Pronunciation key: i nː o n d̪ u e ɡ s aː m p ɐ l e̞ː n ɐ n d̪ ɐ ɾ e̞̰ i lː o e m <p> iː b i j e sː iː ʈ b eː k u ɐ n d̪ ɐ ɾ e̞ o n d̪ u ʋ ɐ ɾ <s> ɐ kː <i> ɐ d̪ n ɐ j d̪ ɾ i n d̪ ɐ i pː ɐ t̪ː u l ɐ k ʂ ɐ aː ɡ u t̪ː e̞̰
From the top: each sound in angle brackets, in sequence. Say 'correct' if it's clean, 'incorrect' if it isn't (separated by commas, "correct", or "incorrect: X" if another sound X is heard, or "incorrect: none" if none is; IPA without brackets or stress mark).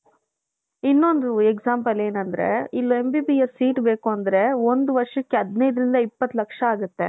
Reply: incorrect: b, incorrect: ʂ, incorrect: e